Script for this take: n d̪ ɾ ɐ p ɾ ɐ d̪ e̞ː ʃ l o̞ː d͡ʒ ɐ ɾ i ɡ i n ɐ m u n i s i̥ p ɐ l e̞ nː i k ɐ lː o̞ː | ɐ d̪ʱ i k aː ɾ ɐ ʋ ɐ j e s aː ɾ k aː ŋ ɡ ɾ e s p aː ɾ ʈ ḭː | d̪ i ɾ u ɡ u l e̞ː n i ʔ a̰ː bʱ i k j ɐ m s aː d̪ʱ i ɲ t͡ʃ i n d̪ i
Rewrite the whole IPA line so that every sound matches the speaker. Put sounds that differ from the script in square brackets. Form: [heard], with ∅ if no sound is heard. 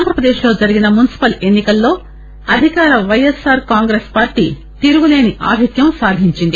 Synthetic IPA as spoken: n d̪ ɾ ɐ p ɾ ɐ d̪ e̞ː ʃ l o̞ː d͡ʒ ɐ ɾ i ɡ i n ɐ m u n i s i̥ p ɐ l e̞ nː i k ɐ lː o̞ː | ɐ d̪ʱ i k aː ɾ ɐ ʋ ɐ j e s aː ɾ k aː ŋ ɡ ɾ e s p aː ɾ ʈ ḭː | [t̪] i ɾ u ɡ u l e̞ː n i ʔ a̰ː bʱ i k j ɐ m s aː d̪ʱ i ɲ t͡ʃ i n d̪ i

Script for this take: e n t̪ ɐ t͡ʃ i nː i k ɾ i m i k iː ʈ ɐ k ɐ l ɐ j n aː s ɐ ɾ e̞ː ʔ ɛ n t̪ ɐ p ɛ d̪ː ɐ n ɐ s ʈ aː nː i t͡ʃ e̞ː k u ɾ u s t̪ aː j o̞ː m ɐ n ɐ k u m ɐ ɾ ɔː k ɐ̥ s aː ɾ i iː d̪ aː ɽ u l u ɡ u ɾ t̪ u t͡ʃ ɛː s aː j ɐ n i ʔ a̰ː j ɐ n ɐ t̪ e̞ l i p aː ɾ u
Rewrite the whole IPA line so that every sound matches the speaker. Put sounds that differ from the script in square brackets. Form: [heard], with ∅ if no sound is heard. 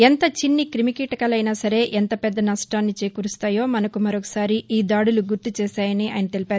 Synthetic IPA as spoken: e n t̪ ɐ t͡ʃ i nː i k ɾ i m i k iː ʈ ɐ k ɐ l ɐ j n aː s ɐ ɾ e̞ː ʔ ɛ n t̪ ɐ p ɛ d̪ː ɐ n ɐ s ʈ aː nː i t͡ʃ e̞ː k u ɾ u s t̪ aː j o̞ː m ɐ n ɐ k u m ɐ ɾ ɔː k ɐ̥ s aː ɾ i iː d̪ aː ɽ u l u ɡ u ɾ t̪ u t͡ʃ ɛː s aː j ɐ n i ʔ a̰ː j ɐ n ɐ t̪ e̞ l i p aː ɾ u

